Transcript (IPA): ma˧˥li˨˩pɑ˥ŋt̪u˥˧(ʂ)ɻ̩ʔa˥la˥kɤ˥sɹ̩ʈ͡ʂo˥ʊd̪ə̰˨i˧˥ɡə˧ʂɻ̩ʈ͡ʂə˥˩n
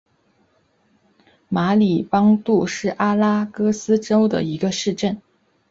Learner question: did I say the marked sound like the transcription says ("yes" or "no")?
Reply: yes